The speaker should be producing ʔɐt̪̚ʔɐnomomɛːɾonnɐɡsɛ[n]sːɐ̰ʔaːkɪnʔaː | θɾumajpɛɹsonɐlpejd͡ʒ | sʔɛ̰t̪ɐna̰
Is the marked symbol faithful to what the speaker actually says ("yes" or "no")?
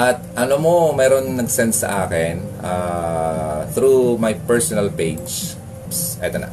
yes